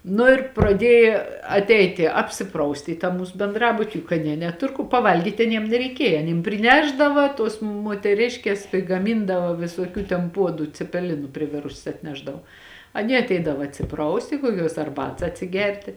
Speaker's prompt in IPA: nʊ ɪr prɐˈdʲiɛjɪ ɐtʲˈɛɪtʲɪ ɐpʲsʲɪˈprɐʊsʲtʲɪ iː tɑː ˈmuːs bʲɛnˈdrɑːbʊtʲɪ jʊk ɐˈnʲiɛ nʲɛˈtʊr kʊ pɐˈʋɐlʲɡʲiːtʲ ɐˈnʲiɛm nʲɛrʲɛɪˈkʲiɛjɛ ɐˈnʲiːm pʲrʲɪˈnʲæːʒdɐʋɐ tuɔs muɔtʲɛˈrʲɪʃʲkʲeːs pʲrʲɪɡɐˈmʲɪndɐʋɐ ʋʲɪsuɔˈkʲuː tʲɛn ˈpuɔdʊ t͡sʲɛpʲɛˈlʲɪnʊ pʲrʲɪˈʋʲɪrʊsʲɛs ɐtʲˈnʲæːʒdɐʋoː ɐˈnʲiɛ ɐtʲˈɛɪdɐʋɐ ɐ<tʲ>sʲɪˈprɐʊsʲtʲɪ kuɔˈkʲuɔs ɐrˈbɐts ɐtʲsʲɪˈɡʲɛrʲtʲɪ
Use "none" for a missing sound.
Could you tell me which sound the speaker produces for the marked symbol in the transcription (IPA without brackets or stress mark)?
tʲ